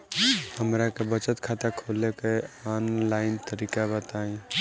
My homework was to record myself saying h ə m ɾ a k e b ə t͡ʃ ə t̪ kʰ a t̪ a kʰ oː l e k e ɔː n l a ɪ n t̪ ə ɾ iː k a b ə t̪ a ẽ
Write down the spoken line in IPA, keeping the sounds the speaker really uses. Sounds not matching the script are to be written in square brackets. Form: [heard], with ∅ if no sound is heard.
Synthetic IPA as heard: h ə m ɾ a k e b ə t͡ʃ ə t̪ kʰ a t̪ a kʰ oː l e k e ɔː n l a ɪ n t̪ ə ɾ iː k a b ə t̪ a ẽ